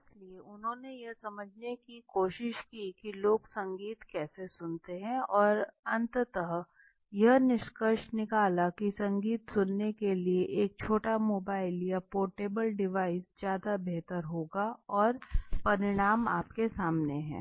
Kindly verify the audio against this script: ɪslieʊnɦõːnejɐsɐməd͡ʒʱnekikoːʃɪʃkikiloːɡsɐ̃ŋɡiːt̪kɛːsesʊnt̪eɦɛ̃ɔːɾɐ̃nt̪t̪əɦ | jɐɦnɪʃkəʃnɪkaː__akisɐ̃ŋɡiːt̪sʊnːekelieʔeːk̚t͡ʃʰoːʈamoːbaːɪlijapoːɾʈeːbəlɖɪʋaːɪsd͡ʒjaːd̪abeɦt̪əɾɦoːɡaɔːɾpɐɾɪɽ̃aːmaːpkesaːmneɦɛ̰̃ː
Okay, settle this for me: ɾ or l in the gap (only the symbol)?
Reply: l